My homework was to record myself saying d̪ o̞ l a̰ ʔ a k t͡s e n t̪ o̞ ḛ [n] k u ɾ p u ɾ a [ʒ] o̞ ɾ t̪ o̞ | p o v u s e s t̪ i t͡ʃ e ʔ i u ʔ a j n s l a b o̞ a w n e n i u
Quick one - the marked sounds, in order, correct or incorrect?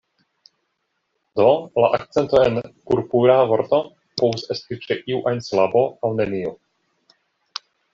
correct, incorrect

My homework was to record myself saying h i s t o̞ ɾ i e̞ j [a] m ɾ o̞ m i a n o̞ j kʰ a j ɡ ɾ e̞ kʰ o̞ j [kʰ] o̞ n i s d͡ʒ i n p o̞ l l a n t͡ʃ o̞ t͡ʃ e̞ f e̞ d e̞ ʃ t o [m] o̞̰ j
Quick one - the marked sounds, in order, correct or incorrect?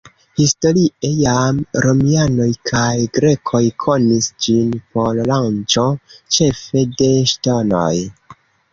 correct, correct, incorrect

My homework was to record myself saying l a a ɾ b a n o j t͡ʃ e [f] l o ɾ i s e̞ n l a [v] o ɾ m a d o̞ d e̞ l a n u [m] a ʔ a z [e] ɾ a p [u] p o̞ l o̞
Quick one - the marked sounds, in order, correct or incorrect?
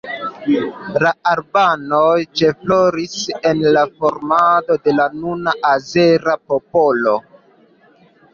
correct, incorrect, incorrect, correct, incorrect

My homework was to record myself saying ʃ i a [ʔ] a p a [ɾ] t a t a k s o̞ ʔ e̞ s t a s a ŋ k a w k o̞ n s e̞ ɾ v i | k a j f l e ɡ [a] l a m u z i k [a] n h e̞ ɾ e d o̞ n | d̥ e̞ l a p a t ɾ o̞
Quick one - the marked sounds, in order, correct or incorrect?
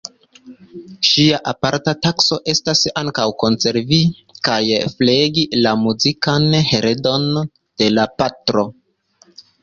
correct, correct, incorrect, correct

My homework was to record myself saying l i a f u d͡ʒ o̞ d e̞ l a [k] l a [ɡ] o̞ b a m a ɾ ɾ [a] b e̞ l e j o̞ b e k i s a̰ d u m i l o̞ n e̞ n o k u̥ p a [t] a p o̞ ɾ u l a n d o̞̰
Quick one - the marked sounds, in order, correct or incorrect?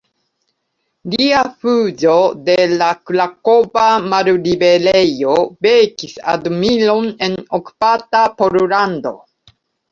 correct, incorrect, incorrect, correct

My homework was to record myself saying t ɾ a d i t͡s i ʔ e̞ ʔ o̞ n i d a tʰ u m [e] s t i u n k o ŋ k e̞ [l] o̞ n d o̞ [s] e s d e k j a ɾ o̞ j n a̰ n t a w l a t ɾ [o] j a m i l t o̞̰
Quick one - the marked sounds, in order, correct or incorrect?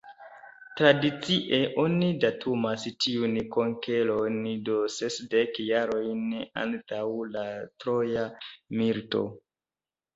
incorrect, correct, correct, correct

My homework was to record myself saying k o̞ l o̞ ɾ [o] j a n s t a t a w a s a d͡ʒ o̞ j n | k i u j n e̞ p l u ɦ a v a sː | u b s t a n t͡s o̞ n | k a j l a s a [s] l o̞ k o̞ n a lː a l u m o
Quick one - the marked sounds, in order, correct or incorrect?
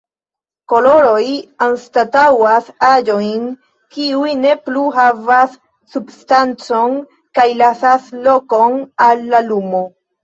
correct, correct

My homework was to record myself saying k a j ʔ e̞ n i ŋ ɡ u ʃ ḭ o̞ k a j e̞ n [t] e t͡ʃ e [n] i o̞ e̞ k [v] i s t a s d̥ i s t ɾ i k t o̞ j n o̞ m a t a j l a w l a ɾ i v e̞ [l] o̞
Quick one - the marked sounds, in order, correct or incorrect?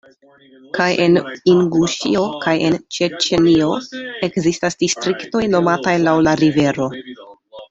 incorrect, correct, incorrect, incorrect

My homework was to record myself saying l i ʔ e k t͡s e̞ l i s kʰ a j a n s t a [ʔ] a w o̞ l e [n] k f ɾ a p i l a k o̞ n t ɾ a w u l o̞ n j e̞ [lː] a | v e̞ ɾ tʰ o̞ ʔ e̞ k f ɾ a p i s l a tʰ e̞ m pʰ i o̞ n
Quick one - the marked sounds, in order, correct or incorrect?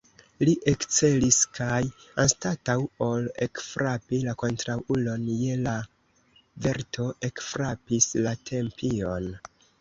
incorrect, incorrect, incorrect

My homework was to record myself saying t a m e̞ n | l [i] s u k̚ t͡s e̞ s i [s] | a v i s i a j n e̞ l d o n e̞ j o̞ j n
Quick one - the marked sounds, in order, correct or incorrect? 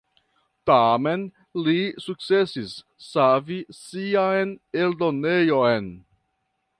correct, incorrect

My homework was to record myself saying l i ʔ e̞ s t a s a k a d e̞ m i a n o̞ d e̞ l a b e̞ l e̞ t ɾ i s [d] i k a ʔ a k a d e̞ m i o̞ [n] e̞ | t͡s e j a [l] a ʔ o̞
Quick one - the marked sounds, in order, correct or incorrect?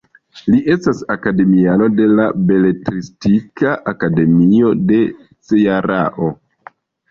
incorrect, incorrect, incorrect

